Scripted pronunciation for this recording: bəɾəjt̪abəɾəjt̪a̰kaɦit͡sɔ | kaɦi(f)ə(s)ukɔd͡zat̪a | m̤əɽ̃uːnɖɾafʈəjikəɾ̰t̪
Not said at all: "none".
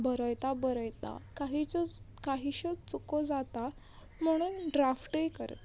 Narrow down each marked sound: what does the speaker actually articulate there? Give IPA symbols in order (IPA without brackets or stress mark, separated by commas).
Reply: ɕ, t͡s